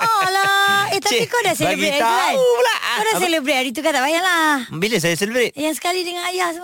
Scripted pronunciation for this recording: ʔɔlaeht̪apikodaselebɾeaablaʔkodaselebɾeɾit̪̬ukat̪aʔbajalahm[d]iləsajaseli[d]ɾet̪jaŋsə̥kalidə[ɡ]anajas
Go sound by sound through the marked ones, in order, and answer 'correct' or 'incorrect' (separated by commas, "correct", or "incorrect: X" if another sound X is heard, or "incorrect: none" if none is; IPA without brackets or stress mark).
incorrect: b, incorrect: b, incorrect: ŋ